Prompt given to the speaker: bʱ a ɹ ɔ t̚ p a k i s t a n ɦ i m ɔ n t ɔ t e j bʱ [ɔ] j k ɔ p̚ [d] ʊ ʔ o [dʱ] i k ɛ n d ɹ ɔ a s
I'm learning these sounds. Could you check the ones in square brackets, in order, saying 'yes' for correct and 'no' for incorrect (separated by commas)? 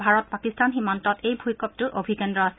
no, no, no